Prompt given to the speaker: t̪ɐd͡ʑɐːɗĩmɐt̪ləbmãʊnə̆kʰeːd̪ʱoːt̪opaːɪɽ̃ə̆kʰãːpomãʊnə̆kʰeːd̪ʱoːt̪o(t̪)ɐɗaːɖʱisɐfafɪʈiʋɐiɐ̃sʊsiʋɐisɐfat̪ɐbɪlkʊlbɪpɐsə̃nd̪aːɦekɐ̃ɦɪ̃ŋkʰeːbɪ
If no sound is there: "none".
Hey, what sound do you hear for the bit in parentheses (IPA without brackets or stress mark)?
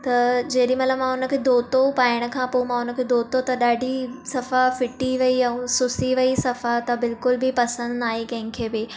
t̪